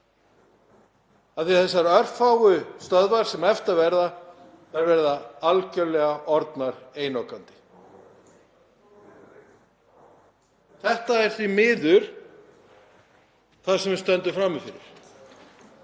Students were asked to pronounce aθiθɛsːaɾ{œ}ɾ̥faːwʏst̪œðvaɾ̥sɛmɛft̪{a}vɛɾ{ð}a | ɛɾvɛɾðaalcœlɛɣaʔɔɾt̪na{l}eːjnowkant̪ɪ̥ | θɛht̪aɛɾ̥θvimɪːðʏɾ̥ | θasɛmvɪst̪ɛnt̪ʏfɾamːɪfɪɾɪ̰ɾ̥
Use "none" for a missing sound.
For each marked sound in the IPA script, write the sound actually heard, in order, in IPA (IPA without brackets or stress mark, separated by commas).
œ, a, ð, ɾ